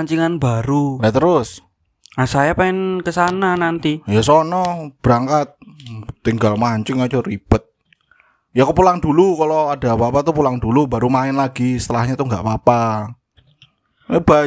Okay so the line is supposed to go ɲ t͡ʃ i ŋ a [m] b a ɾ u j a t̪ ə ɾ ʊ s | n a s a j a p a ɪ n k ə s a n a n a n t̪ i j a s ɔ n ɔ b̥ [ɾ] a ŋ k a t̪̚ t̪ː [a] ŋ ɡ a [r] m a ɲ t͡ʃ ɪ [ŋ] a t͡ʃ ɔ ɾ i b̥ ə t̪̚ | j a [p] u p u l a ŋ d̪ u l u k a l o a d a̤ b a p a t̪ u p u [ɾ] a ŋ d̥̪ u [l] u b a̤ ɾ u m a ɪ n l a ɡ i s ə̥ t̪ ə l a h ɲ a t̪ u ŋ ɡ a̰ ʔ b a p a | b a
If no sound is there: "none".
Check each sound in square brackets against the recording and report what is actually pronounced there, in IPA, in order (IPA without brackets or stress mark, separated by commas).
n, ɾ, i, l, ŋ, k, l, l